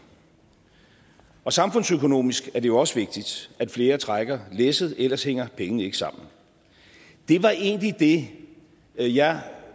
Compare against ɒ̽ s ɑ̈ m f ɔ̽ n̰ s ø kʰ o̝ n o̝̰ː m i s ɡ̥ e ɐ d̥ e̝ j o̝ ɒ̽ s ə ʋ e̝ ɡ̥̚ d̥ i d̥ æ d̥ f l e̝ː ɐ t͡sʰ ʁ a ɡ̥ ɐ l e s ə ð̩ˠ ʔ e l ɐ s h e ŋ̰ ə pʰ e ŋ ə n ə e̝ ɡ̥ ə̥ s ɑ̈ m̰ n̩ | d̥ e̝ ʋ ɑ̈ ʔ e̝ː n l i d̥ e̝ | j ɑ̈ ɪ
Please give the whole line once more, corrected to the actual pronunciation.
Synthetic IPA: ɒ̽ s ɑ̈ m f ɔ̽ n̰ s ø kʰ o̝ n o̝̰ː m i s ɡ̥ æ ɐ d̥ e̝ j o̝ ɒ̽ s ə ʋ e̝ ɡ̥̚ d̥ i d̥ æ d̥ f l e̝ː ɐ t͡sʰ ʁ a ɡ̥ ɐ l e s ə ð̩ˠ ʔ e l ɐ s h e ŋ̰ ɐ pʰ e ŋ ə n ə e̝ ɡ̥ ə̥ s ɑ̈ m̰ n̩ | d̥ e̝ ʋ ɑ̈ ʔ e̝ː n l i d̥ e̝ | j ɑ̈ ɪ

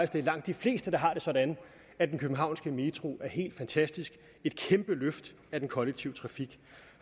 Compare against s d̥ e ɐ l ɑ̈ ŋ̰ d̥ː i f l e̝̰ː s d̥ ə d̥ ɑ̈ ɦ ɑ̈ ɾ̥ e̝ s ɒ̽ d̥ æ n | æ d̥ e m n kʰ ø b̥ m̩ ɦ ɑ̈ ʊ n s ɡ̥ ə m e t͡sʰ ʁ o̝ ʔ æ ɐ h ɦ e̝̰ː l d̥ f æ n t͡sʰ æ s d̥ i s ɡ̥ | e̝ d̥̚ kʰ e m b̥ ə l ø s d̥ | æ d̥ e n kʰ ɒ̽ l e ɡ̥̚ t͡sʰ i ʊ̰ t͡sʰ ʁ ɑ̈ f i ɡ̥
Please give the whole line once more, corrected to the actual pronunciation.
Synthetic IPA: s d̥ e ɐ l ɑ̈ ŋ̰ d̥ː i f l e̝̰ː s d̥ ə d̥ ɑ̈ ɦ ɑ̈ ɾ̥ e̝ s ɒ̽ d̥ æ n | æ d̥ e n kʰ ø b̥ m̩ ɦ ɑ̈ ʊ n s ɡ̥ ə m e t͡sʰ ʁ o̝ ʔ æ ɐ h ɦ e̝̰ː l d̥ f æ n t͡sʰ æ s d̥ i s ɡ̥ | e̝ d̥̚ kʰ e m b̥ ə l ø f d̥ | æ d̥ e n kʰ ɒ̽ l e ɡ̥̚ t͡sʰ i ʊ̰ t͡sʰ ʁ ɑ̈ f i ɡ̥

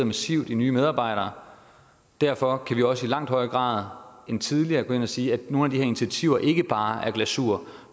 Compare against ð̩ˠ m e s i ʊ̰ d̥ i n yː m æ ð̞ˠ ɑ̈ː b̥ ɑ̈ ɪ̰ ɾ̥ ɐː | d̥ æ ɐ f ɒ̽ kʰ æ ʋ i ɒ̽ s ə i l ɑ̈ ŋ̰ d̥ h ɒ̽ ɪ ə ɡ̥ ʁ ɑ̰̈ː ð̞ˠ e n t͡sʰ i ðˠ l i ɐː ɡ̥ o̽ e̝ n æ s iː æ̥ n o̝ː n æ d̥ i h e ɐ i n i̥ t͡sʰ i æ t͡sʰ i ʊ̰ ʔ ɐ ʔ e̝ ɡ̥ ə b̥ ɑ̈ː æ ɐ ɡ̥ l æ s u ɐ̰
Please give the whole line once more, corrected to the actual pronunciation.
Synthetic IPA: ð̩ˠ m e s i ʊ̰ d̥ i n yː m e ð̞ˠ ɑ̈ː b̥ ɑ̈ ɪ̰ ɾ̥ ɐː | d̥ æ ɐ f ɒ̽ kʰ æ ʋ i ɒ̽ s ə i l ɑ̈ ŋ̰ d̥ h ɒ̽ ɪ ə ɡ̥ ʁ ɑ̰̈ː ð̞ˠ e n t͡sʰ i ðˠ l i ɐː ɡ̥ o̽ e̝ n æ s iː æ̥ n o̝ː n æ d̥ i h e ɐ i n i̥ t͡sʰ i æ t͡sʰ i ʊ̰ ɐ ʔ e̝ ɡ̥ ə b̥ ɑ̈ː æ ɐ ɡ̥ l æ s u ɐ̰

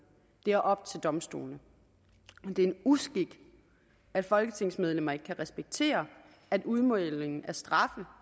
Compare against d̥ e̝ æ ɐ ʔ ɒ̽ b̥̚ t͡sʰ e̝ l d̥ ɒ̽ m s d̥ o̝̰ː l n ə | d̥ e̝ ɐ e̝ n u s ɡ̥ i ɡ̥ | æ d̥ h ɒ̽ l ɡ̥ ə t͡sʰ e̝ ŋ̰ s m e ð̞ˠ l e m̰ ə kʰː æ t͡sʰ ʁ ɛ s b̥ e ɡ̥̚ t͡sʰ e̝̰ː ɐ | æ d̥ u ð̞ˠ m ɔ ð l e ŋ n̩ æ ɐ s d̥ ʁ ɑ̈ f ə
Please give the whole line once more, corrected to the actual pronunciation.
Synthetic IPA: d̥ e̝ æ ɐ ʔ ɒ̽ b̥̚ t͡sʰ e̝ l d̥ ɒ̽ m s d̥ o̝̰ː l n ə | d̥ e̝ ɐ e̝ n u s ɡ̥ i ɡ̥ | æ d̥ f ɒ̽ l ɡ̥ ə t͡sʰ e̝ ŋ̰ s m e ð̞ˠ l e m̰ ɐ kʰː æ ʁ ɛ s b̥ e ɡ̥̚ t͡sʰ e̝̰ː ɐ | æ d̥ u ð̞ˠ m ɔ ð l e ŋ n̩ æ ɐ s d̥ ʁ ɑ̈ f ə

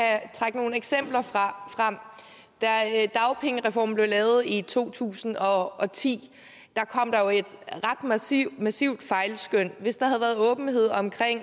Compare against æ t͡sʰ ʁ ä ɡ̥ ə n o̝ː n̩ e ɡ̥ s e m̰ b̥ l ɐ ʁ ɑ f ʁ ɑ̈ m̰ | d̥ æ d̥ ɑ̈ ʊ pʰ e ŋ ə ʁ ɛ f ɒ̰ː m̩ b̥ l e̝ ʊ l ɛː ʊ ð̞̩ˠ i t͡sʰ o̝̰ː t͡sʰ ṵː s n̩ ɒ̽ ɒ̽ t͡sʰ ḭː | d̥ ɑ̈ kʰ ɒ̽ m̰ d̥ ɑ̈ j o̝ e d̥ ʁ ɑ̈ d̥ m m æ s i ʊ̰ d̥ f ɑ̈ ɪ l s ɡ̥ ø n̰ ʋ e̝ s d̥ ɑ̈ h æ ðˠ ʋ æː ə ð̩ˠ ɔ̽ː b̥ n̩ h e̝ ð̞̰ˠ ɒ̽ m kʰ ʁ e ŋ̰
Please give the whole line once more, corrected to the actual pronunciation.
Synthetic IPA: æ t͡sʰ ʁ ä ɡ̥ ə n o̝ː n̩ e ɡ̥ s e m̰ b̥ l ɐ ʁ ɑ f ʁ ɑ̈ m̰ | d̥ æ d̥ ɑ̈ ʊ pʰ e ŋ ə ʁ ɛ f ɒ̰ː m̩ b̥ l e̝ ʊ l ɛː ʊ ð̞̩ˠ i t͡sʰ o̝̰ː t͡sʰ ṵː s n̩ ɒ̽ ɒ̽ t͡sʰ ḭː | d̥ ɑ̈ kʰ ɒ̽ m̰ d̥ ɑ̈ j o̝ e d̥ ʁ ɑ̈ d̥ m m æ s i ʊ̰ d̥ f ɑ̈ ɪ l s ɡ̥ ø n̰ ʋ e̝ s d̥ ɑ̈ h æ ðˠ ʋ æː ɐ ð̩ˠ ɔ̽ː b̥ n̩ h e̝ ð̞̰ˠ ɒ̽ m kʰ ʁ e ŋ̰

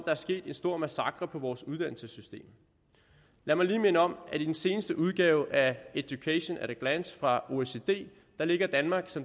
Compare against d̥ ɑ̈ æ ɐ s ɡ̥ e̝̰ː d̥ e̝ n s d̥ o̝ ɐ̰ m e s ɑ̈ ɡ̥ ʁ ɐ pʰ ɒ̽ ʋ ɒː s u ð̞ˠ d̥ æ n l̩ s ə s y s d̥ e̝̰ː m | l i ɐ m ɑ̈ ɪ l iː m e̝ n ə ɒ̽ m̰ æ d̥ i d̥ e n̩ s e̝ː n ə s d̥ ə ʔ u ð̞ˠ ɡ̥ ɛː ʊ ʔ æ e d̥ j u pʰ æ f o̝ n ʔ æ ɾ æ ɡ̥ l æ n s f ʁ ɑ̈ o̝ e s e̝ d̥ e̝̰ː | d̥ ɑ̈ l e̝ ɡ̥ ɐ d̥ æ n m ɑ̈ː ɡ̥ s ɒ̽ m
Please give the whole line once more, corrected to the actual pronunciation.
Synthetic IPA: d̥ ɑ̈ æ ɐ s ɡ̥ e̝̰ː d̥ e̝ n s d̥ o̝ ɐ̰ m æ s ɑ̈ ɡ̥ ʁ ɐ pʰ ɒ̽ ʋ ɒː s u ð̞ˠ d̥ æ n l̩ s ə s y s d̥ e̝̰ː m | l æ ɐ m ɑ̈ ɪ l iː m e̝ n ə ɒ̽ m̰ æ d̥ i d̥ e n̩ s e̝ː n ə s d̥ ə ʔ u ð̞ˠ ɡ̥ ɛː ʊ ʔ æ e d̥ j u kʰ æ ɕ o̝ n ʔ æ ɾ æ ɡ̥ l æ n s f ʁ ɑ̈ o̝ e s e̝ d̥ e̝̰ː | d̥ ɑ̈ l e̝ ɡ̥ ɐ d̥ æ n m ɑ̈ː ɡ̥ s ɒ̽ m

